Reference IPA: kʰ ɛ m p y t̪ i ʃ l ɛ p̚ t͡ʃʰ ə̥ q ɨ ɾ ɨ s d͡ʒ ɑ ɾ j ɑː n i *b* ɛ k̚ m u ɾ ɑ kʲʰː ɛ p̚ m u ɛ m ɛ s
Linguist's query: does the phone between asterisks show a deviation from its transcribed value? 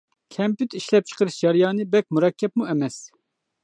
no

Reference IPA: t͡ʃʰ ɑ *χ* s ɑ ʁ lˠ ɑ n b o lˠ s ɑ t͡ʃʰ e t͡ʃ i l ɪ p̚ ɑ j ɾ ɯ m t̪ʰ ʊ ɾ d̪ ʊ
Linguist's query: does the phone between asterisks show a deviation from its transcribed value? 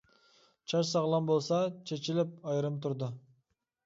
yes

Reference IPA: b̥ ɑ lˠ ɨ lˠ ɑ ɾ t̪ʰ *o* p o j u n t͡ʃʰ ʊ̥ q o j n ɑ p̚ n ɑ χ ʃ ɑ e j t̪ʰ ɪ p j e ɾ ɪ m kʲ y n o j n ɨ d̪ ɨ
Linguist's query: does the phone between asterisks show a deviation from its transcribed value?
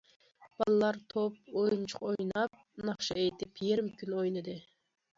no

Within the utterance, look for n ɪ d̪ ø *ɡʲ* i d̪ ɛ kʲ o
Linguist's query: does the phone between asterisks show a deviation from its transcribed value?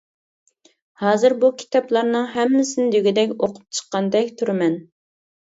no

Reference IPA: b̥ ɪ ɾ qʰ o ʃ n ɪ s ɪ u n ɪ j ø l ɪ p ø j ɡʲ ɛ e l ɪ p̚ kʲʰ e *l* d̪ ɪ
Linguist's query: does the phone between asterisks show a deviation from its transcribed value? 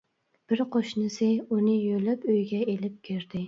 yes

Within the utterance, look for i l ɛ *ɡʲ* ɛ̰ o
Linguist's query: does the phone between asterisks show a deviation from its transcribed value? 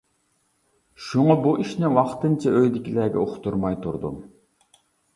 no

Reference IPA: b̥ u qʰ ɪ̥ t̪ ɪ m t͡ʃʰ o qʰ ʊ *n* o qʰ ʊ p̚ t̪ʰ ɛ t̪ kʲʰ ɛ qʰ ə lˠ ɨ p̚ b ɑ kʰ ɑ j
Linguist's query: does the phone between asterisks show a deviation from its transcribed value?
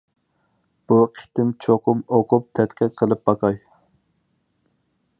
yes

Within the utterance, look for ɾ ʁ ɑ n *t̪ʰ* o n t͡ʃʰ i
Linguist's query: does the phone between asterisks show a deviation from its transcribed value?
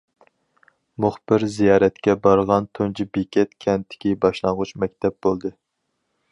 no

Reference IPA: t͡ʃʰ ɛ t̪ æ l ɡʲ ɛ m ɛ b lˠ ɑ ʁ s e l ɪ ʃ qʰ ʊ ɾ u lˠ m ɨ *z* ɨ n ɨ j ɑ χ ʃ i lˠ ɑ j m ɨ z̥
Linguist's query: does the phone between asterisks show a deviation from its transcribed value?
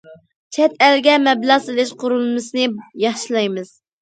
yes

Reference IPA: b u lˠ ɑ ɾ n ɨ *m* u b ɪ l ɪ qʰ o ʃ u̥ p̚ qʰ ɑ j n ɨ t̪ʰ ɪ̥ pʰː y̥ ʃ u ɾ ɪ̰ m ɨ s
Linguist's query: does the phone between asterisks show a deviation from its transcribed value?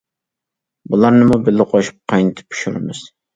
no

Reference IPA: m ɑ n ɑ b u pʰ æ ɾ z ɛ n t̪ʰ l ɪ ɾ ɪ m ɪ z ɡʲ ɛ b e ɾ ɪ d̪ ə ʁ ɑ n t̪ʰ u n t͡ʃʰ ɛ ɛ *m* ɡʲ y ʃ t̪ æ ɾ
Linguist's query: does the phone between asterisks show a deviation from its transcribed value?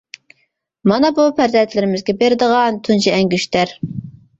yes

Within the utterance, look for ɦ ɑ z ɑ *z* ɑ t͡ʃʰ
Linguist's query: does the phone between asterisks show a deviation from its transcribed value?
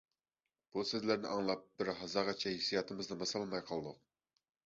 yes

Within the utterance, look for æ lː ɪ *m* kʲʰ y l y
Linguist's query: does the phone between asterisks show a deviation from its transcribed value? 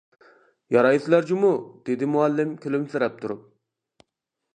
no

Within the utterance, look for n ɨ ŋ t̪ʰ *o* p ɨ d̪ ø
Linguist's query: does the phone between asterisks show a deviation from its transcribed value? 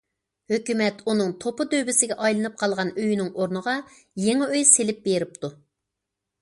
no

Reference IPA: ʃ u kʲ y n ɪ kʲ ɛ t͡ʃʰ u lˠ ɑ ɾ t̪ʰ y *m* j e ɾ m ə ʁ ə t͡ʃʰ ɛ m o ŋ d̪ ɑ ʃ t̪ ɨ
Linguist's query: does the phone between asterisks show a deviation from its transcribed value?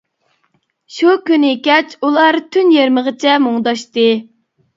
yes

